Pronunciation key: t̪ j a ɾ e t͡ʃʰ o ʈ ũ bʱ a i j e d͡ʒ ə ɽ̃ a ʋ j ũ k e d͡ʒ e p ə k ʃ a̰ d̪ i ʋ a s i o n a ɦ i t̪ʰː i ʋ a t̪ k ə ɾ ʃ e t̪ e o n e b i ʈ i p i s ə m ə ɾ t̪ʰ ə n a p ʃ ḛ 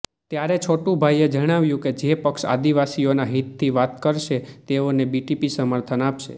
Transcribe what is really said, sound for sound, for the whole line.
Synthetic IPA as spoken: t̪ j a ɾ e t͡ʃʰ o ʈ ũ bʱ a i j e d͡ʒ ə ɽ̃ a ʋ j ũ k e d͡ʒ e p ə k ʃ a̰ d̪ i ʋ a s i o n a ɦ i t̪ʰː i ʋ a t̪ k ə ɾ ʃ e t̪ e o n e b i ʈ i p i s ə m ə ɾ t̪ʰ ə n a p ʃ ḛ